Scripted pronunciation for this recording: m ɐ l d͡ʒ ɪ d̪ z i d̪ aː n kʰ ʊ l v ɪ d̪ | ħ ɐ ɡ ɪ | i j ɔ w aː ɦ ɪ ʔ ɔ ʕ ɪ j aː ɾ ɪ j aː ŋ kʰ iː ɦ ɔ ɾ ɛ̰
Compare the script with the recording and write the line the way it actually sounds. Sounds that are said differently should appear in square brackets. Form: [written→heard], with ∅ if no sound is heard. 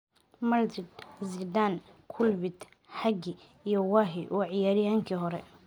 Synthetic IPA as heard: m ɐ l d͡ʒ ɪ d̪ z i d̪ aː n kʰ ʊ l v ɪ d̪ | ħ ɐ ɡ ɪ | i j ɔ w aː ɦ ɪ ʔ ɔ ʕ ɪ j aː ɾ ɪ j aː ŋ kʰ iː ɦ ɔ ɾ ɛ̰